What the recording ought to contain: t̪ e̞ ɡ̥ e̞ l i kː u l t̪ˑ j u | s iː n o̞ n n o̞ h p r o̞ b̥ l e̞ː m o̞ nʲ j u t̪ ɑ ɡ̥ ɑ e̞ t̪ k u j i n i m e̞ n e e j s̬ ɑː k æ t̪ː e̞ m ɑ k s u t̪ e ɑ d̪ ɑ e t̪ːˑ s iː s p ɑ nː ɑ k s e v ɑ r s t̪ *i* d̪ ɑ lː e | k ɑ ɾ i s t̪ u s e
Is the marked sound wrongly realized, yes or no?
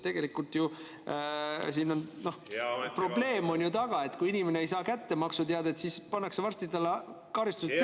no